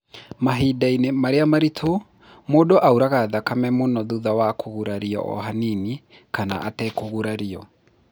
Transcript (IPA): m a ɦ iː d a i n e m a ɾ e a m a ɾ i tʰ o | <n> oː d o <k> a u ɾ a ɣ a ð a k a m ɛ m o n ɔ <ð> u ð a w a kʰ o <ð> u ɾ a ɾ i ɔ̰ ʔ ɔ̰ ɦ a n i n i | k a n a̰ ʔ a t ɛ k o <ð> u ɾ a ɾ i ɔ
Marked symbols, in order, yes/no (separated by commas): no, no, yes, no, no